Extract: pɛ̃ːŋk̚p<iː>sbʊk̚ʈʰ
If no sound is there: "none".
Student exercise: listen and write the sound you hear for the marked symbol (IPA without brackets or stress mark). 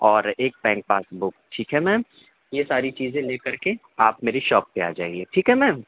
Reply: aː